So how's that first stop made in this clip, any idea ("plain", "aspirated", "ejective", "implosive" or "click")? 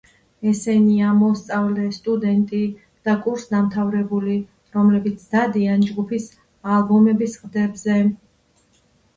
plain